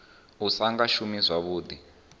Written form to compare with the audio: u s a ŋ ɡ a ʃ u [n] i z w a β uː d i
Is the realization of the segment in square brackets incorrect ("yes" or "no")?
yes